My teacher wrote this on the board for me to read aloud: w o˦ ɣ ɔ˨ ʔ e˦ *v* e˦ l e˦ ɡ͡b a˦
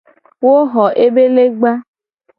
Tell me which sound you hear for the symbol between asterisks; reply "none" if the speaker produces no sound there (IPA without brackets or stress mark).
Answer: b